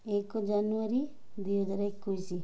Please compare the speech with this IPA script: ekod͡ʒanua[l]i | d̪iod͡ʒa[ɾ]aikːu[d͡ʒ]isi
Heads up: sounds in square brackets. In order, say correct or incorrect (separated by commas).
incorrect, correct, incorrect